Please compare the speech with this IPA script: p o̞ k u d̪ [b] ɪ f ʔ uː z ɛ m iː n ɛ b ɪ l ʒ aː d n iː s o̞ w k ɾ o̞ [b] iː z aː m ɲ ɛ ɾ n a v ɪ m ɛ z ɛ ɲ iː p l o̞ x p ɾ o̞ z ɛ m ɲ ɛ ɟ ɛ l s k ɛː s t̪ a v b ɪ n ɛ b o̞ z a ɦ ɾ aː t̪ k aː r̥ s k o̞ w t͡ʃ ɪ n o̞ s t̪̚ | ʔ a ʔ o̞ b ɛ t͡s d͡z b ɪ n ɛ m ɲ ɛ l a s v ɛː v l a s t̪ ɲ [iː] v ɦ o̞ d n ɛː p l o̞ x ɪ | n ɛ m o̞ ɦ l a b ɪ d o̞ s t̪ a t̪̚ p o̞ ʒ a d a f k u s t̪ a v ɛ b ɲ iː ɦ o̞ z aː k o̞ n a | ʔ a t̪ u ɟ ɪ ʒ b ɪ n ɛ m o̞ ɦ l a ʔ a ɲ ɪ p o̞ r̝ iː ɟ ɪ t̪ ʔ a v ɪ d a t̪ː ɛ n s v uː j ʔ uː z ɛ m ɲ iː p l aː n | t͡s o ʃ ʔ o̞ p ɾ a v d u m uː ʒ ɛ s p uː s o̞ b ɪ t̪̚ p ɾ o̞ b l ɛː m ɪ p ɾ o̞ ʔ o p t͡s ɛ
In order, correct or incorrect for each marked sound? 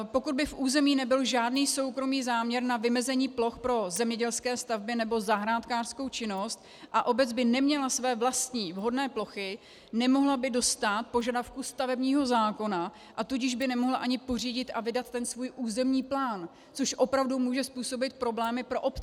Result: correct, incorrect, correct

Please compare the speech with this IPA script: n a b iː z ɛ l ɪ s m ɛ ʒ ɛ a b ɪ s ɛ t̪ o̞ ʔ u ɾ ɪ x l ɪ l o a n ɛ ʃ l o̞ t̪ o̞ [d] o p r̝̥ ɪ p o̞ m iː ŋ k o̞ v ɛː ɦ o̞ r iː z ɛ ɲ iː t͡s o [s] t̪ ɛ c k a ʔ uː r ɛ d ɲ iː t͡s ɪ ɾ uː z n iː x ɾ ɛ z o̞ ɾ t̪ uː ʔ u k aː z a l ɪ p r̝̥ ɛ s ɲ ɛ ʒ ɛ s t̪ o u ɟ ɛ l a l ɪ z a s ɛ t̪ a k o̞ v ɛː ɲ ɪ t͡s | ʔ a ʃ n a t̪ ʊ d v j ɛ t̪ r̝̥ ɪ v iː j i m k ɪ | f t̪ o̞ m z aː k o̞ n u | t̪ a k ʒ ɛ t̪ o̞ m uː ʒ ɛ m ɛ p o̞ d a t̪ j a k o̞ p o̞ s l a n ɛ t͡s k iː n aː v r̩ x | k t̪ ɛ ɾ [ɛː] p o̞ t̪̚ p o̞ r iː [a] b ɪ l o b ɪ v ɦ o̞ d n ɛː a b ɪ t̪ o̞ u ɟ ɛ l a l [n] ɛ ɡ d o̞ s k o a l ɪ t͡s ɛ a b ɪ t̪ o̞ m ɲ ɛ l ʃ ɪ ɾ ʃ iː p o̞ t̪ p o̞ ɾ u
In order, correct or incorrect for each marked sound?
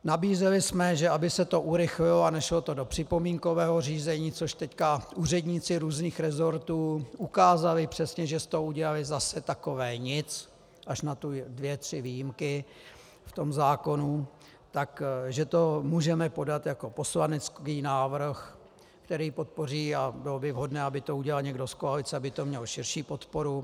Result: correct, incorrect, incorrect, correct, incorrect

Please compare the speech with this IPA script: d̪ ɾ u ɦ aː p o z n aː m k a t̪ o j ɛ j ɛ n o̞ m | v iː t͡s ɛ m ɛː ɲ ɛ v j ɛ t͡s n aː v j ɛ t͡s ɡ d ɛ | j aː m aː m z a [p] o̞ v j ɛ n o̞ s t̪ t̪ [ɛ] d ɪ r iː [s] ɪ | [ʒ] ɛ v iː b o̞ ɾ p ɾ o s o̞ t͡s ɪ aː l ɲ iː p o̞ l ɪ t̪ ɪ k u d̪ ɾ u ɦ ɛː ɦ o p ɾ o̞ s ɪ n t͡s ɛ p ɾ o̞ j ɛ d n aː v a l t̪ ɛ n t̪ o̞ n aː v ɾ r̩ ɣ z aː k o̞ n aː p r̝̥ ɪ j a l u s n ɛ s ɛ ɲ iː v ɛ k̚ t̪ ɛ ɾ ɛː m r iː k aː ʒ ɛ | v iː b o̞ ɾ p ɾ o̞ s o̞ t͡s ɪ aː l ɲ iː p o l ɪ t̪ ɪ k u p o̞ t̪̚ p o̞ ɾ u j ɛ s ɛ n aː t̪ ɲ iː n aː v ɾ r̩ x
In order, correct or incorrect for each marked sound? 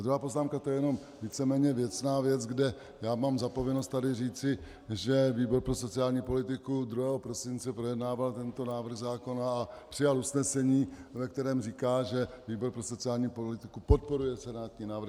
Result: correct, incorrect, incorrect, correct

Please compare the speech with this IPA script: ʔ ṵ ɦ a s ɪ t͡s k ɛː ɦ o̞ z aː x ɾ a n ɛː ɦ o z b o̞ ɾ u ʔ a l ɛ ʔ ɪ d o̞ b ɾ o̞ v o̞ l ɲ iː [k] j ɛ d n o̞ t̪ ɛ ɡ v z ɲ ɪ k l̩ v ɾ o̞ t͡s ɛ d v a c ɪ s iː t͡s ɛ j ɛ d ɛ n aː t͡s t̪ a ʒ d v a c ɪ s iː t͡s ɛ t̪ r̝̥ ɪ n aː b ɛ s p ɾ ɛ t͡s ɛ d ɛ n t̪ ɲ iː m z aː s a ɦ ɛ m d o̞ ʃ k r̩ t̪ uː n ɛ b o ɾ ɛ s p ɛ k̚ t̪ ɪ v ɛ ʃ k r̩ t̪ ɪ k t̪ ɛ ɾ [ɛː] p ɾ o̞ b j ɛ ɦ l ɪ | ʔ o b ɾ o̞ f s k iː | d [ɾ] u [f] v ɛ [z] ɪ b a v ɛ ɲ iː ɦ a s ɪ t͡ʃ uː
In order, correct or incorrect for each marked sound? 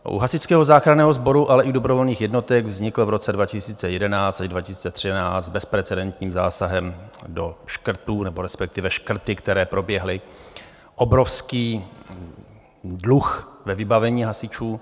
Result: incorrect, correct, incorrect, incorrect, incorrect

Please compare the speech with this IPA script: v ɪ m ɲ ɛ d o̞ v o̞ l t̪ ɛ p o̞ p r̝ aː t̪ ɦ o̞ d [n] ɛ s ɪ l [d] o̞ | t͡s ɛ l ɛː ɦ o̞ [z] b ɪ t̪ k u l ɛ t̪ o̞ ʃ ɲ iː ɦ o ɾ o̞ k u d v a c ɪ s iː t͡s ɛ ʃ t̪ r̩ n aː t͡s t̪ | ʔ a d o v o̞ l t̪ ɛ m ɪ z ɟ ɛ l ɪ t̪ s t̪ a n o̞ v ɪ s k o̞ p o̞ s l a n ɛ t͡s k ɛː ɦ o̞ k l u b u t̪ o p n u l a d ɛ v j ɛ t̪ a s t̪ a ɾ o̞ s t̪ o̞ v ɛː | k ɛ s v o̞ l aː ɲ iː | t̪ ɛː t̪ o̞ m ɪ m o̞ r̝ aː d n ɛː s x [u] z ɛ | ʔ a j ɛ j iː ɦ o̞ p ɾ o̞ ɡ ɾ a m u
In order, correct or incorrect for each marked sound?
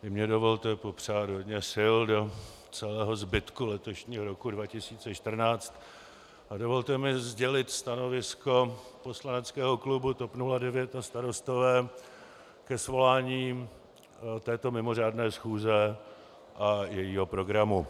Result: incorrect, correct, correct, incorrect

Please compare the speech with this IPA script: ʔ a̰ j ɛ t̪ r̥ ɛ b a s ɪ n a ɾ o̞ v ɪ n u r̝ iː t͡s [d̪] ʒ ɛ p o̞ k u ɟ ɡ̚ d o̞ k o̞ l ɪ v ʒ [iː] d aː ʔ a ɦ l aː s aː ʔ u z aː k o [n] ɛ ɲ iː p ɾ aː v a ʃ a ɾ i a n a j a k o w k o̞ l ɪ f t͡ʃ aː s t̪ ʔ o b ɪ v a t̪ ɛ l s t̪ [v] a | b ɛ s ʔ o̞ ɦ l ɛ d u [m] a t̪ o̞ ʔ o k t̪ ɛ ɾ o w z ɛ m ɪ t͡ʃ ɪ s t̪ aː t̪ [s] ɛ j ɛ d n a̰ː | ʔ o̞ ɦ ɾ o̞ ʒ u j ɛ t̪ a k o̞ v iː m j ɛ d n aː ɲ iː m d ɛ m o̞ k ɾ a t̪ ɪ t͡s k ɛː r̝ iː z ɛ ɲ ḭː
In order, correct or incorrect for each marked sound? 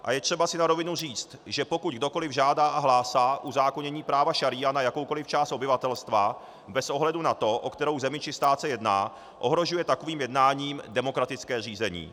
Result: incorrect, incorrect, incorrect, correct, incorrect, correct

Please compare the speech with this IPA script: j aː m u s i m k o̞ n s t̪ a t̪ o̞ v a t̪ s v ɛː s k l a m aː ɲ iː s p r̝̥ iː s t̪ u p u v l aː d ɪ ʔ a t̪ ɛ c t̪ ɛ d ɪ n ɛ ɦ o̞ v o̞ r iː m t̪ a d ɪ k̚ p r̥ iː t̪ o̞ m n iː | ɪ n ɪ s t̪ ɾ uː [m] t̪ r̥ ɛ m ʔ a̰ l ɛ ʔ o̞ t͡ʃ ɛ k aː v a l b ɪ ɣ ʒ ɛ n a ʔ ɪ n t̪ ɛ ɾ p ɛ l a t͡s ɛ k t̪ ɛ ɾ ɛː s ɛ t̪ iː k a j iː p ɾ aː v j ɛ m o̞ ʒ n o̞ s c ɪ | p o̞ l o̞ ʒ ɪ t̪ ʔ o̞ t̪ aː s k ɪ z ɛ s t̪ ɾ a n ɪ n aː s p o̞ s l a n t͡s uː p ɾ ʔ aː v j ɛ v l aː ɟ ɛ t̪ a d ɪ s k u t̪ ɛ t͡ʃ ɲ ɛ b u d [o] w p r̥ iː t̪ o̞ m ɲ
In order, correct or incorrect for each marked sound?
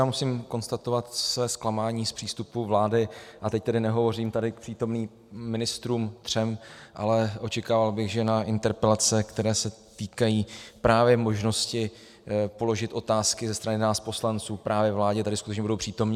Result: correct, correct

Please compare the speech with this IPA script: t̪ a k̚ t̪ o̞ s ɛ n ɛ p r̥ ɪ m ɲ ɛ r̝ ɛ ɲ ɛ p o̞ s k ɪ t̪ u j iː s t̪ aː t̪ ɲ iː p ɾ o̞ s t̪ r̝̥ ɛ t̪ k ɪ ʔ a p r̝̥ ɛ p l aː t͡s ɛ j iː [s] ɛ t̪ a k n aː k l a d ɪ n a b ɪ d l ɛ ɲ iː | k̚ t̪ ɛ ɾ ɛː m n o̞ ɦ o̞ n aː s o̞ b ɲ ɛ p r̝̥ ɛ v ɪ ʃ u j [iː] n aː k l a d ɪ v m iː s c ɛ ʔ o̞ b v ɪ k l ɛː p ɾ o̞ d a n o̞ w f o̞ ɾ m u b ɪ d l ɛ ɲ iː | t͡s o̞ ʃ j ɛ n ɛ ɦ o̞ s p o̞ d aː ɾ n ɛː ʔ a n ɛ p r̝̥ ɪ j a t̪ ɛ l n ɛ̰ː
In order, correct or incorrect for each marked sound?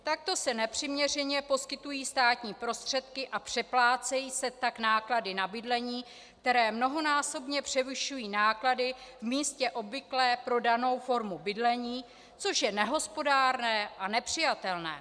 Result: correct, correct

